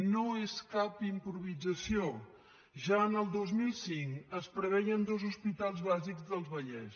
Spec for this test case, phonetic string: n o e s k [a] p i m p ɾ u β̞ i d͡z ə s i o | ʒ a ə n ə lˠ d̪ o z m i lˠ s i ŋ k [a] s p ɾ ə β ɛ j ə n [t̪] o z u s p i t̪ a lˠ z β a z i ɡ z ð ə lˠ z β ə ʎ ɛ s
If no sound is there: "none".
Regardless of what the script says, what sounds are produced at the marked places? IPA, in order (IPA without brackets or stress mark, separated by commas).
a, ə, d̪